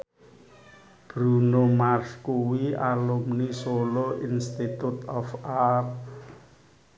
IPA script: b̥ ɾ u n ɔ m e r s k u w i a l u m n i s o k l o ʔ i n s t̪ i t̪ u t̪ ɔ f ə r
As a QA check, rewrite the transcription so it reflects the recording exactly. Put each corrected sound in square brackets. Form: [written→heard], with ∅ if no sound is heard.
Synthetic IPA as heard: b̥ ɾ u n [ɔ→o] m [e→a] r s k u w i a l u m n i s o [k→∅] l o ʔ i n s t̪ i t̪ u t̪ ɔ f [ə→a] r